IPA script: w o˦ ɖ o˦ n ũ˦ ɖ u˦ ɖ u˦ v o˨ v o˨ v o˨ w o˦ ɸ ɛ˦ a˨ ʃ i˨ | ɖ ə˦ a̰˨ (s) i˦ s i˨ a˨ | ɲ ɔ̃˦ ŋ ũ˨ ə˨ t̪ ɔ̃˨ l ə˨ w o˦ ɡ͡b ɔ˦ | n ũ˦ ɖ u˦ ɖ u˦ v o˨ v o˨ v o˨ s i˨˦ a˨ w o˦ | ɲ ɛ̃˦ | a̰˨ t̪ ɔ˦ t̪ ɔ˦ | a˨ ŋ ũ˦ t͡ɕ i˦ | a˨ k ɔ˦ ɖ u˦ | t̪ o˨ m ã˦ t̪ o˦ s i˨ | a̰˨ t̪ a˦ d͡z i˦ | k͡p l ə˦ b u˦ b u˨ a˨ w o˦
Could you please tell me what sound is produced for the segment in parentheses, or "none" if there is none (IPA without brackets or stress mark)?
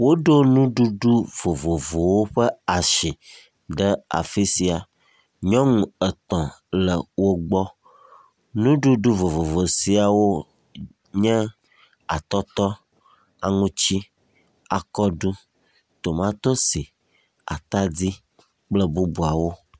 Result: f